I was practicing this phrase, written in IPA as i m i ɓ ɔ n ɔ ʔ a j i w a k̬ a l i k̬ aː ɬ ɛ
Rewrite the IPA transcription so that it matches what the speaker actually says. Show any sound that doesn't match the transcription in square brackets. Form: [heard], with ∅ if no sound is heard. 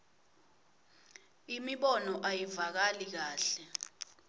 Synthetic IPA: i m i ɓ ɔ n ɔ ʔ a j i [v] a k̬ a l i k̬ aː ɬ ɛ